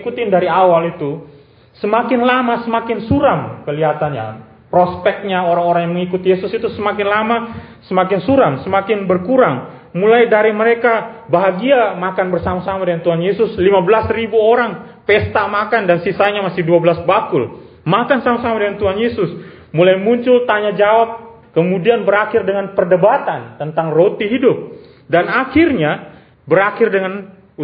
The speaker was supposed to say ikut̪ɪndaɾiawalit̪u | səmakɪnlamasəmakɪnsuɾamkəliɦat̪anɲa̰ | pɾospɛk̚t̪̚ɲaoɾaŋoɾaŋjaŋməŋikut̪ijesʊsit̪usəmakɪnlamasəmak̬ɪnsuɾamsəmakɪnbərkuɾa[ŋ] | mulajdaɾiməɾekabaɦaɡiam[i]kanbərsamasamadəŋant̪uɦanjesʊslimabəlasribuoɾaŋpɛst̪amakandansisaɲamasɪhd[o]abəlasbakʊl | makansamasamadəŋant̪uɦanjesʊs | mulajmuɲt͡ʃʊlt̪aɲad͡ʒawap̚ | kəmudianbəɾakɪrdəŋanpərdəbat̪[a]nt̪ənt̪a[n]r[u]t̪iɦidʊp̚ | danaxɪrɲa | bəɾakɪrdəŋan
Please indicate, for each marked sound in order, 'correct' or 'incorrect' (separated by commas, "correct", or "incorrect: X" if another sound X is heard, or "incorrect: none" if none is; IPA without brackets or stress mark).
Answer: correct, incorrect: a, incorrect: u, correct, incorrect: ŋ, incorrect: o